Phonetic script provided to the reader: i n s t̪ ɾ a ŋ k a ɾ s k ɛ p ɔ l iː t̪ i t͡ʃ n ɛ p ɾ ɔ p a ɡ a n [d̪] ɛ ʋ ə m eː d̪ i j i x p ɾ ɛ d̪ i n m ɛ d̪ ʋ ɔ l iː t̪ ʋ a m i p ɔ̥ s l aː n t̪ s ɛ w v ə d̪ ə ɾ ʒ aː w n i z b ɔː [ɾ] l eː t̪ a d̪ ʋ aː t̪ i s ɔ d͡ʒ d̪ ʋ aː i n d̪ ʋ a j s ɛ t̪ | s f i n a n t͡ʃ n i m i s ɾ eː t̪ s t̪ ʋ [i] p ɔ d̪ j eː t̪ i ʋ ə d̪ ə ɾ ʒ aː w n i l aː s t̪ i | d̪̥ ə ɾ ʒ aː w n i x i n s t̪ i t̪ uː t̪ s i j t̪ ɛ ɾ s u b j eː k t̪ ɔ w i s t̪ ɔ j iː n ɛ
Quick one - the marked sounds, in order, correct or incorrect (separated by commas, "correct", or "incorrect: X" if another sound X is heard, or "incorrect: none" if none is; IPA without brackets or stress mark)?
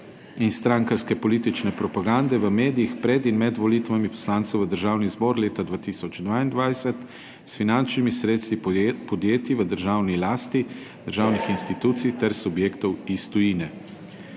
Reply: correct, correct, correct